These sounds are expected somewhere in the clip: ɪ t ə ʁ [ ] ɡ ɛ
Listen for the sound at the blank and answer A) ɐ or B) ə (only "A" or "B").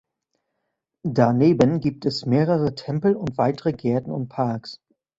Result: B